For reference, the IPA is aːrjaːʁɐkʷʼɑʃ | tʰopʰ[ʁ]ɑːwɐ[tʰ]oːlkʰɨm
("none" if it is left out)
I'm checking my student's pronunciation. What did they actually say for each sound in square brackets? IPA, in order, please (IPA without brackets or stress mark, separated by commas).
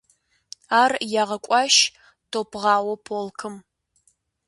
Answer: ʁ, pʰ